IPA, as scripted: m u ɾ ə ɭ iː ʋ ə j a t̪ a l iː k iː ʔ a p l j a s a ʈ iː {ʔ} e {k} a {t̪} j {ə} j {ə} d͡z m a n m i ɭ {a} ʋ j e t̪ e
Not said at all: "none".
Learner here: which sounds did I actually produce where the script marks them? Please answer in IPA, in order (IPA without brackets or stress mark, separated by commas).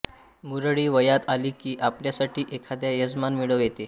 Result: ʔ, kʰ, d̪, a, ə, ə